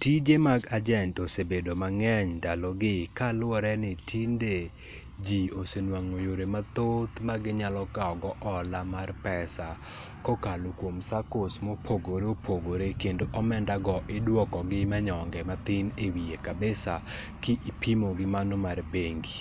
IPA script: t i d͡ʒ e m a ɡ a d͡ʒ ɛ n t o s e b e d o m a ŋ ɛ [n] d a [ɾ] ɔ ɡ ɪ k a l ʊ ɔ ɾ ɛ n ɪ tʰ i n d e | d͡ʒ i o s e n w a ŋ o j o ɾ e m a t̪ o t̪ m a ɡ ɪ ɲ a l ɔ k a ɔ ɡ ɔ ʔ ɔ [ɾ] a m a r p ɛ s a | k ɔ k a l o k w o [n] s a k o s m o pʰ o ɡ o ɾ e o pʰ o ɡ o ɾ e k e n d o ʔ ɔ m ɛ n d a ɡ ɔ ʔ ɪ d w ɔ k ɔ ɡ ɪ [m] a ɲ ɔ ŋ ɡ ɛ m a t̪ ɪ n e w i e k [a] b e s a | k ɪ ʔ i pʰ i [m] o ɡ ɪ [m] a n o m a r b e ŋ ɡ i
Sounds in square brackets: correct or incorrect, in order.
incorrect: ɲ, incorrect: l, incorrect: l, incorrect: m, correct, correct, correct, correct

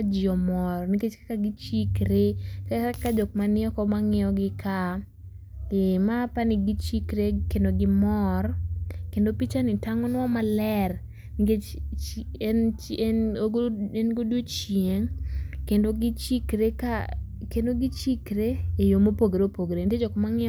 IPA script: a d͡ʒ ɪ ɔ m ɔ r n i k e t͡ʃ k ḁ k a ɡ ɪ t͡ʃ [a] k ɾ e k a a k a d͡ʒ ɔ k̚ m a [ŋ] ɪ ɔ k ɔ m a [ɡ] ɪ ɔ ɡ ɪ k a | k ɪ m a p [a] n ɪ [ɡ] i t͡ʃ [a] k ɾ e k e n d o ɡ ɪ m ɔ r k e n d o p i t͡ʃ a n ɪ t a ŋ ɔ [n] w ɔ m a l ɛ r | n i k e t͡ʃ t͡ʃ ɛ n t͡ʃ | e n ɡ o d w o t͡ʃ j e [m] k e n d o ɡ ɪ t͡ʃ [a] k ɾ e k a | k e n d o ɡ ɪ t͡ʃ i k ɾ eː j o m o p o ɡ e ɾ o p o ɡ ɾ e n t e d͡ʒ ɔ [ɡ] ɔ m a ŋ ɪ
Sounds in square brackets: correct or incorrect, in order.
incorrect: i, incorrect: n, incorrect: ŋ, correct, correct, incorrect: i, correct, incorrect: ŋ, incorrect: i, incorrect: k

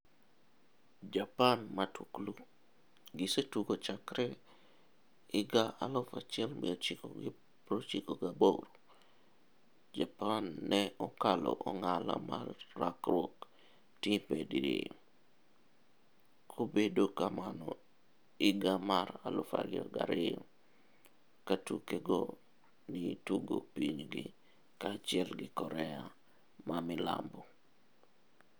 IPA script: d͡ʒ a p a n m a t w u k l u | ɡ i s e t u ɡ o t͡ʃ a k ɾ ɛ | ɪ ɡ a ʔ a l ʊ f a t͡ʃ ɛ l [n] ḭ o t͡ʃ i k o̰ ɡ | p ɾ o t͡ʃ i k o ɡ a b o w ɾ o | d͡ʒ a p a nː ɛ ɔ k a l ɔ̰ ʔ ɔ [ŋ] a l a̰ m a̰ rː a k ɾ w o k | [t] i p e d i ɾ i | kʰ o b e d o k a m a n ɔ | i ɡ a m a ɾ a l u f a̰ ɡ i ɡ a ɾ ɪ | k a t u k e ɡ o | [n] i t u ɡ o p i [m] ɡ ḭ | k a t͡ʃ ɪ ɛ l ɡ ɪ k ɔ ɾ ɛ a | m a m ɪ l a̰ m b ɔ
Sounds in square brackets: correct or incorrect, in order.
incorrect: m, correct, correct, correct, incorrect: ɲ

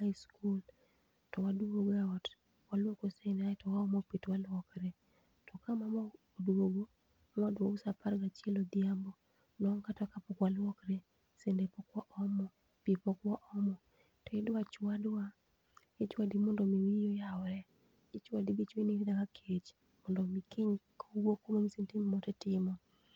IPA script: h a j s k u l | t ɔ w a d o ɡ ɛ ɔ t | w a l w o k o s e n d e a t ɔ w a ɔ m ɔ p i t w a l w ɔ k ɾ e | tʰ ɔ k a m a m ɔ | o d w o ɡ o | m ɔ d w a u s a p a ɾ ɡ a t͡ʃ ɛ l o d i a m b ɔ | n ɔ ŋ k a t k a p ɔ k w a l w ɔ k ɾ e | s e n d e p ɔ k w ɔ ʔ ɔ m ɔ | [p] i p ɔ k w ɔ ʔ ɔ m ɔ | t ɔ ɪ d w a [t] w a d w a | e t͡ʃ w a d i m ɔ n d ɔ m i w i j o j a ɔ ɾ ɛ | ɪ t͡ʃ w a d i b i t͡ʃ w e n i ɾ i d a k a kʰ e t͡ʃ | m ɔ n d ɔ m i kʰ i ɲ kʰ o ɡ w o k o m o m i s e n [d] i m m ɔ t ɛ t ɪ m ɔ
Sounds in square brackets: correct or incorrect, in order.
correct, incorrect: t͡ʃ, incorrect: t

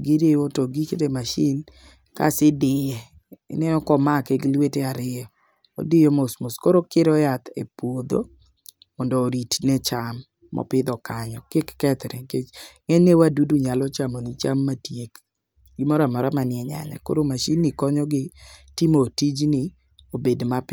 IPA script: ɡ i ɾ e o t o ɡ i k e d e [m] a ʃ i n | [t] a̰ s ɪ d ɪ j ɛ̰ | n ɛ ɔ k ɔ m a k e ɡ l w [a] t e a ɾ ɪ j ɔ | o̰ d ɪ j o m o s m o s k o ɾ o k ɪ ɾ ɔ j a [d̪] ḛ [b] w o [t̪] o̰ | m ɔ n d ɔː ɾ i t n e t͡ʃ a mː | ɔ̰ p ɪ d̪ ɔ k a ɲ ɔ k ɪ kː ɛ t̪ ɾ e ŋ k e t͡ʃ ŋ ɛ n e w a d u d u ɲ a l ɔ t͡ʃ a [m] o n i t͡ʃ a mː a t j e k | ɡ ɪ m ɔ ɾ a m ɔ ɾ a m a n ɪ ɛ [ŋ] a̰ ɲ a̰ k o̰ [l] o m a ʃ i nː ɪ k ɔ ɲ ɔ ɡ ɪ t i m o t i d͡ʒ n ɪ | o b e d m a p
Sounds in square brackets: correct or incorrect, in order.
correct, incorrect: k, incorrect: e, incorrect: t̪, incorrect: p, incorrect: d̪, correct, incorrect: ɲ, incorrect: ɾ

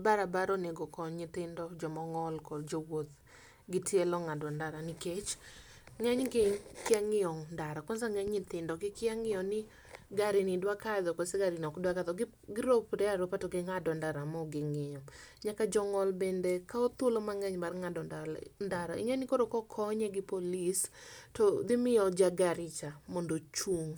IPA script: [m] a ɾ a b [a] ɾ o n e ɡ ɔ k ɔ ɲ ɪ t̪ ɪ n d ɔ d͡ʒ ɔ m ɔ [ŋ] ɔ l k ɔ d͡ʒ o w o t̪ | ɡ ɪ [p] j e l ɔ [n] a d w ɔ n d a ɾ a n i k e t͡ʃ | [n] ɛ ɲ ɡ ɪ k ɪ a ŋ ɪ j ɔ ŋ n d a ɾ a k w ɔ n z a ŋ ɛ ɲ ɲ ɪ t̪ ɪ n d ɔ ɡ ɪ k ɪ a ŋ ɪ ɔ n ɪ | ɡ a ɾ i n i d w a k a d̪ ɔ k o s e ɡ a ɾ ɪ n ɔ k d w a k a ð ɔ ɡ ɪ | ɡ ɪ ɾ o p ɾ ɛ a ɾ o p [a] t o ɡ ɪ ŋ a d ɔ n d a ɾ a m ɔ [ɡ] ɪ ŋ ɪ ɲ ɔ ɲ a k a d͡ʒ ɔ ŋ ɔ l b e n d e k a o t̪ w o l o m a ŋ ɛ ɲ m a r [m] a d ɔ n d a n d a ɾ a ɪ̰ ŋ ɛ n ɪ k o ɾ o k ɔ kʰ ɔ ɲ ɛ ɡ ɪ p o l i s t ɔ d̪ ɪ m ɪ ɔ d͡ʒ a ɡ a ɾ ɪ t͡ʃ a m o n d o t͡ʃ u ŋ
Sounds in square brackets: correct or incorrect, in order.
incorrect: b, correct, correct, incorrect: t, incorrect: ŋ, incorrect: ŋ, correct, correct, incorrect: ŋ

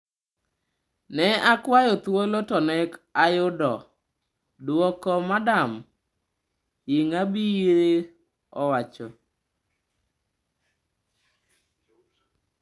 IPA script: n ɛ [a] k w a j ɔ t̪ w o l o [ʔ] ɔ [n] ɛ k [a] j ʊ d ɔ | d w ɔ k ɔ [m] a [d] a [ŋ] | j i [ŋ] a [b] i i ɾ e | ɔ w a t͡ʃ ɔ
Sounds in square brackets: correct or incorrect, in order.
correct, incorrect: t, correct, correct, correct, correct, incorrect: m, correct, correct

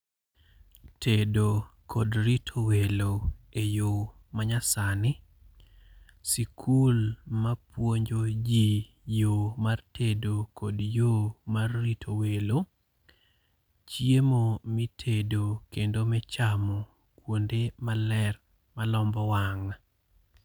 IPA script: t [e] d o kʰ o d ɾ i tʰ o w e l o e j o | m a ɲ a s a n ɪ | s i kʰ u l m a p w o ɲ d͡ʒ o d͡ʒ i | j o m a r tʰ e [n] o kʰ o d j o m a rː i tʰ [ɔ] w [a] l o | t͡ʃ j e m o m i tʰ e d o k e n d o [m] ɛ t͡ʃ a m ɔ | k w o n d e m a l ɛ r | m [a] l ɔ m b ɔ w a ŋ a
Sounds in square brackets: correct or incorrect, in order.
correct, incorrect: d, incorrect: o, incorrect: e, correct, correct

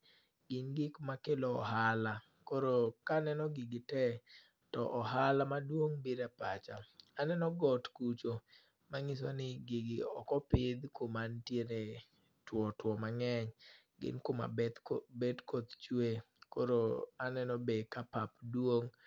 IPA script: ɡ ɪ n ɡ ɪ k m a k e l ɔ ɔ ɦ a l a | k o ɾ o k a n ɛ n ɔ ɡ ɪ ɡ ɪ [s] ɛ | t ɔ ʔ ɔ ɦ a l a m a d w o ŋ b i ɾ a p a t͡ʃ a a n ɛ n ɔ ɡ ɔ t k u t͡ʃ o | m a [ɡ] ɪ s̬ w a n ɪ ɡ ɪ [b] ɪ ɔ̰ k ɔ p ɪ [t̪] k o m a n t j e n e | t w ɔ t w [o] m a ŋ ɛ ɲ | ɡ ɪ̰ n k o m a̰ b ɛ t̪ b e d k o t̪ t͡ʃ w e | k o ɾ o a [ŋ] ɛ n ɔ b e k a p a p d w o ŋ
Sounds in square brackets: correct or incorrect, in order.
incorrect: t, incorrect: ŋ, incorrect: ɡ, incorrect: d̪, incorrect: ɔ, incorrect: n

